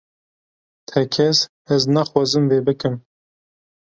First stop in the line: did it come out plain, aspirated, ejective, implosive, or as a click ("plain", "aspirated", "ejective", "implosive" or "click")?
aspirated